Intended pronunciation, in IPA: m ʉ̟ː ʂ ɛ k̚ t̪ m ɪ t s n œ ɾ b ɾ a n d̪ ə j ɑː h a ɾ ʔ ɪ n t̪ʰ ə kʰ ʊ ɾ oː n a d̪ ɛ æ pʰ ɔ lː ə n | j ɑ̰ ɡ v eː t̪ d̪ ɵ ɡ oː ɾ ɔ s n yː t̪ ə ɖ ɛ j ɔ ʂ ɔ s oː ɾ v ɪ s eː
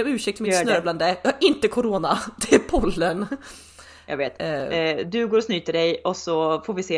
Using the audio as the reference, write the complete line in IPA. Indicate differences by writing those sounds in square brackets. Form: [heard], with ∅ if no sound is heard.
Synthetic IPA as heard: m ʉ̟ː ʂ ɛ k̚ t̪ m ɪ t s n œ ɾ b [l] a n d̪ ə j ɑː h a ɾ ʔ ɪ n [t̪] ə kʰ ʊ ɾ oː n a d̪ ɛ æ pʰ ɔ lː ə n | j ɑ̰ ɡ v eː t̪ d̪ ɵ ɡ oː ɾ ɔ s n yː t̪ ə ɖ ɛ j ɔ [s] ɔ [f] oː ɾ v ɪ s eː